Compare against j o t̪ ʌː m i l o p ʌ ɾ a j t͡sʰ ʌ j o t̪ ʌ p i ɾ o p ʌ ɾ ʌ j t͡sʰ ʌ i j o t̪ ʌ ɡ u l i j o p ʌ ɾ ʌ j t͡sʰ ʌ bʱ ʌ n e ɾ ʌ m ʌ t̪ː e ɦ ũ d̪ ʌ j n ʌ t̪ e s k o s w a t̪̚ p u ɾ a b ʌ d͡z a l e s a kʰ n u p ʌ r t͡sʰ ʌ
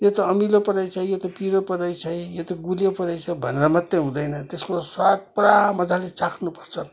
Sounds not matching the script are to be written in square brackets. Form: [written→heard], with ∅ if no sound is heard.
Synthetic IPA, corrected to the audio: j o t̪ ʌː m i l o p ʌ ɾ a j t͡sʰ ʌ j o t̪ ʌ p i ɾ o p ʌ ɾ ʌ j t͡sʰ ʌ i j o t̪ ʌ ɡ u l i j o p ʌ ɾ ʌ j t͡sʰ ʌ bʱ ʌ n e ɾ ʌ m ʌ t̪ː e ɦ ũ d̪ ʌ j n ʌ t̪ e s k o s w a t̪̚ p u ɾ a [b→m] ʌ d͡z a l e [s→t͡s] a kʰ n u p ʌ r t͡sʰ ʌ